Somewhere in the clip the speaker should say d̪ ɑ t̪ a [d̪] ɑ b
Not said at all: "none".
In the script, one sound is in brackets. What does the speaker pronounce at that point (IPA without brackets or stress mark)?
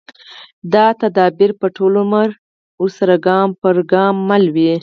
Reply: d̪